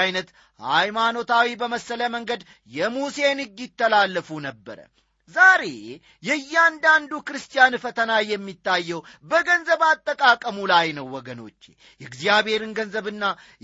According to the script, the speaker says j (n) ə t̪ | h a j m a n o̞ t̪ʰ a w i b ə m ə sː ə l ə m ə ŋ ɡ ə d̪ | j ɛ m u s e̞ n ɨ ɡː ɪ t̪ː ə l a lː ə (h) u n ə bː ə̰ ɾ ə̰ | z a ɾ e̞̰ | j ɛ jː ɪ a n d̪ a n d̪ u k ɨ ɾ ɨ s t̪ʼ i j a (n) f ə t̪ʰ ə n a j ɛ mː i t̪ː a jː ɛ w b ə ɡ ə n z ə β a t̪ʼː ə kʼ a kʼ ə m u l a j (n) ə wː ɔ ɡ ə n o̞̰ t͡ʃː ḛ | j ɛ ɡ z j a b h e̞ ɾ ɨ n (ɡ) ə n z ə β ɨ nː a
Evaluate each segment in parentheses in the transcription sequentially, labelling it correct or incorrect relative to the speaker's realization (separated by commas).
correct, incorrect, correct, correct, correct